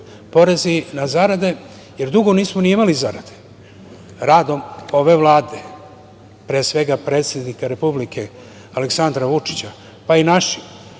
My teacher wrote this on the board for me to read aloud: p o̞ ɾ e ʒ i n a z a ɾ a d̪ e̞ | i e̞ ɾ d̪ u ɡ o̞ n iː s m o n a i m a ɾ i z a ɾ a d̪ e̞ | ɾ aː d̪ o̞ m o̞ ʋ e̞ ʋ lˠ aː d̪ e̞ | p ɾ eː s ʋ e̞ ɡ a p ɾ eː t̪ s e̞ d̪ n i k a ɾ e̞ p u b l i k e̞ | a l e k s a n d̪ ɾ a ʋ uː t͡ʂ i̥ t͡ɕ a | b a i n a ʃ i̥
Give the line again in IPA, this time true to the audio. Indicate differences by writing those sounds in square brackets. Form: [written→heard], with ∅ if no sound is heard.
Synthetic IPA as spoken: p o̞ ɾ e [ʒ→z] i n a z a ɾ a d̪ e̞ | [i→j] e̞ ɾ d̪ u ɡ o̞ n iː s m o n [a→i] i m a [ɾ→l] i z a ɾ a d̪ e̞ | ɾ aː d̪ o̞ m o̞ ʋ e̞ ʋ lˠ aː d̪ e̞ | p ɾ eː s ʋ e̞ ɡ a p ɾ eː t̪ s e̞ d̪ n i k a ɾ e̞ p u b l i k e̞ | a l e k s a n d̪ ɾ a ʋ [uː→u] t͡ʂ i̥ t͡ɕ a | [b→p] a i n a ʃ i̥

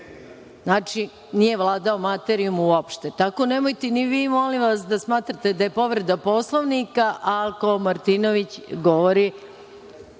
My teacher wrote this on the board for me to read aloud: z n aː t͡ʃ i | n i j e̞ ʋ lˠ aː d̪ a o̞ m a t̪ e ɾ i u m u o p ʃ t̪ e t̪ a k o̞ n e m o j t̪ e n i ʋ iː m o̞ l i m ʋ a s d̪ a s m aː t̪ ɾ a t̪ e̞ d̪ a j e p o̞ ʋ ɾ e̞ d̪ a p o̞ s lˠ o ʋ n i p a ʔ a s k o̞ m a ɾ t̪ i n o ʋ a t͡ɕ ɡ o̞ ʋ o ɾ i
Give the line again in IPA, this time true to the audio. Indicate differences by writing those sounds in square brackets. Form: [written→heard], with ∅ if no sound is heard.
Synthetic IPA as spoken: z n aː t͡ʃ i | n i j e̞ ʋ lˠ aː d̪ a o̞ m a t̪ e ɾ i u m u o p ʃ t̪ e t̪ a k o̞ n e m o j t̪ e n i ʋ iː m o̞ l i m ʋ a s d̪ a s m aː t̪ ɾ a t̪ e̞ d̪ a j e p o̞ ʋ ɾ e̞ d̪ a p o̞ s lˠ o ʋ n i [p→k] a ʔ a [s→∅] k o̞ m a ɾ t̪ i n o ʋ [a→i] t͡ɕ ɡ o̞ ʋ o ɾ i

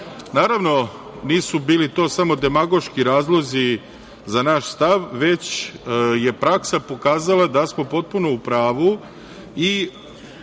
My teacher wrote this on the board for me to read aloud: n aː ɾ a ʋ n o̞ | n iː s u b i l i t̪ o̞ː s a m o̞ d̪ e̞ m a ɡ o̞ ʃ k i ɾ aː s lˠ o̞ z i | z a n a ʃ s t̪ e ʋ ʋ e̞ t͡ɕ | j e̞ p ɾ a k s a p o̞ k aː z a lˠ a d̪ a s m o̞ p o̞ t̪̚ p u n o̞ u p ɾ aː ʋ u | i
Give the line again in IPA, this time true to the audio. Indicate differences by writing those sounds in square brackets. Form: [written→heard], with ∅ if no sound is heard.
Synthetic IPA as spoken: n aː ɾ a ʋ n o̞ | n iː s u b [i→iː] l i t̪ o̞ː s a m o̞ d̪ e̞ m a ɡ o̞ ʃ k i ɾ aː [s→z] lˠ o̞ z i | z a n a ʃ s t̪ [e→a] ʋ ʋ e̞ t͡ɕ | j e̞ p ɾ a k s a p o̞ k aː z a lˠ a d̪ a s m o̞ p o̞ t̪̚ p u n o̞ u p ɾ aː ʋ u | i

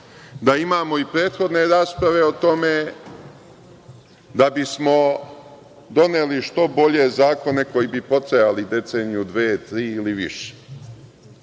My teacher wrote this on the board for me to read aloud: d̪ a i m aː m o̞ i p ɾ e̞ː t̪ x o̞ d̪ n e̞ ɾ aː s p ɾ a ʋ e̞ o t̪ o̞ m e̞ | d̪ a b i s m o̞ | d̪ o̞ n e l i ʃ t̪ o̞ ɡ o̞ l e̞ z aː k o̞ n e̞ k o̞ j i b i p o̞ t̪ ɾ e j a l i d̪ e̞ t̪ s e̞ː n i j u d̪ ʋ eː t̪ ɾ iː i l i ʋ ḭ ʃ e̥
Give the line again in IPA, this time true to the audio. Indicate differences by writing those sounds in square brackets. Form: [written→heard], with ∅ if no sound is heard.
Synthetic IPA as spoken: d̪ a i m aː m o̞ i p ɾ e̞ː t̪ x o̞ d̪ n e̞ ɾ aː s p ɾ a ʋ e̞ o t̪ o̞ m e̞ | d̪ a b i s m o̞ | d̪ o̞ n e l i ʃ t̪ o̞ [ɡ→b] o̞ [l→ʎ] e̞ z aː k o̞ n e̞ k o̞ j i b i p o̞ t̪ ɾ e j a l i d̪ e̞ t̪ s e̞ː n i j u d̪ ʋ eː t̪ ɾ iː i l i ʋ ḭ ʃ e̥

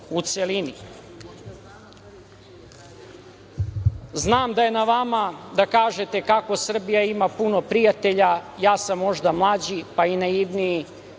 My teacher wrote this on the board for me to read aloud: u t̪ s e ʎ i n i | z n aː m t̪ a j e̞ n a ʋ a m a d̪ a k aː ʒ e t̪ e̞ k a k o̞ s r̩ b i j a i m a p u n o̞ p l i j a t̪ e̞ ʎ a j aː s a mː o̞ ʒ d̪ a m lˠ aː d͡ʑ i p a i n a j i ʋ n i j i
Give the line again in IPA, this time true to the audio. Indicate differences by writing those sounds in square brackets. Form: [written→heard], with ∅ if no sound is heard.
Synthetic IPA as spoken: u t̪ s e [ʎ→l] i n i | z n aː m [t̪→d̪] a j e̞ n a ʋ a m a d̪ a k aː ʒ e t̪ e̞ k a k o̞ s r̩ b i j a i m a p u n o̞ p [l→ɾ] i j a t̪ e̞ ʎ a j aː s a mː o̞ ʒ d̪ a m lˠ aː d͡ʑ i p a i n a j i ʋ n i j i

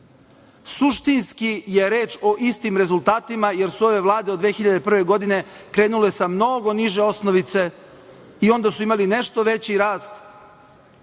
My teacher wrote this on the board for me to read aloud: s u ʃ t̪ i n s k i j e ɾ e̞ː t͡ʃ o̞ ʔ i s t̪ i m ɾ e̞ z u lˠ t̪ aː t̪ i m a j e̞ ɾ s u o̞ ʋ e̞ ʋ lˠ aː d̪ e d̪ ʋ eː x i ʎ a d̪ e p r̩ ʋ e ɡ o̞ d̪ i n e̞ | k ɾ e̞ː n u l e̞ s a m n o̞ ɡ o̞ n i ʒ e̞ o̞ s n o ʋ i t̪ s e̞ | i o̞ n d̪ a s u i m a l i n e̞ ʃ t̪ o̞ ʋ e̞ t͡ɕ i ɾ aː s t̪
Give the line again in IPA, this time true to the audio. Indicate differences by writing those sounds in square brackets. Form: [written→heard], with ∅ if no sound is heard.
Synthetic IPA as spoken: s u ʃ t̪ i n s k i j e ɾ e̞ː t͡ʃ o̞ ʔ i s t̪ i m ɾ e̞ z u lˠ t̪ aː t̪ i m a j e̞ ɾ s u o̞ ʋ e̞ ʋ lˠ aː d̪ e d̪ ʋ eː x i ʎ a d̪ e p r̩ ʋ e ɡ o̞ d̪ i n e̞ | k ɾ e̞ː n u l e̞ s a m n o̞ ɡ o̞ n i ʒ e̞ o̞ s n o ʋ i t̪ s e̞ | i o̞ n d̪ a s u i m a l i n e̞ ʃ t̪ o̞ ʋ e̞ t͡ɕ i ɾ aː s t̪

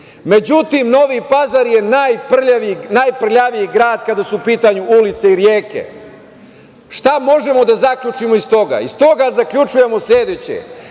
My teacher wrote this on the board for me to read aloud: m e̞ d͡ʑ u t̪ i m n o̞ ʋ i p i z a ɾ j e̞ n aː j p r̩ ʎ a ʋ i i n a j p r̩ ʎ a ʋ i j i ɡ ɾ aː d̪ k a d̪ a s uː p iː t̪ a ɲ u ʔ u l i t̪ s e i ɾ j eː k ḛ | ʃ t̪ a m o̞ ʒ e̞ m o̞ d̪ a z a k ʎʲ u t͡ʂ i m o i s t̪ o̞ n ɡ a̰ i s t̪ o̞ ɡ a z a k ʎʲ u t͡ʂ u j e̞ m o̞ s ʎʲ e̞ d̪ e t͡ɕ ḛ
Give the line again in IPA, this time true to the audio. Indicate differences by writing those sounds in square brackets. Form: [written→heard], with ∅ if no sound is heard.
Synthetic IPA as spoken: m e̞ d͡ʑ u t̪ i m n o̞ ʋ i p [i→a] z a ɾ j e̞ n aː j p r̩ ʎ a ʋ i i n a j p r̩ ʎ a ʋ i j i ɡ ɾ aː d̪ k a d̪ a s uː p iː t̪ a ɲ u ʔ u l i t̪ s e i ɾ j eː k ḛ | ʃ t̪ a m o̞ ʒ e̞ m o̞ d̪ a z a k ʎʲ u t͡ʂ i m o i s t̪ o̞ [n→∅] ɡ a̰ i s t̪ o̞ ɡ a z a k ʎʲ u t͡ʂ u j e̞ m o̞ s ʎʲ e̞ d̪ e t͡ɕ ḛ

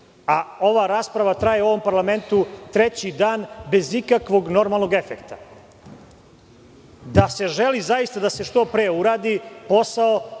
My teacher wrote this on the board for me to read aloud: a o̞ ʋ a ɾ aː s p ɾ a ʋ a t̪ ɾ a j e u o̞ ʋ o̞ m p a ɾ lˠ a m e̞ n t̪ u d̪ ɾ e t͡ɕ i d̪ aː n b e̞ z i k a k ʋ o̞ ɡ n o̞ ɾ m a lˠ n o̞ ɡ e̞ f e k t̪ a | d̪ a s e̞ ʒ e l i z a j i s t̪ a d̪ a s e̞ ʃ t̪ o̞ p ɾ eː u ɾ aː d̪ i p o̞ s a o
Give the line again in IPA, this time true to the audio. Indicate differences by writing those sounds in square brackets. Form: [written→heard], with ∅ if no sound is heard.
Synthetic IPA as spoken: a o̞ ʋ a ɾ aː s p ɾ a ʋ a t̪ ɾ a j e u o̞ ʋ o̞ m p a ɾ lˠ a m e̞ n t̪ u [d̪→t̪] ɾ e t͡ɕ i d̪ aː n b e̞ z i k a k ʋ o̞ ɡ n o̞ ɾ m a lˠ n o̞ ɡ e̞ f e k t̪ a | d̪ a s e̞ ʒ e l i z a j i s t̪ a d̪ a s e̞ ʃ t̪ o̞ p ɾ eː u ɾ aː d̪ i p o̞ s a o

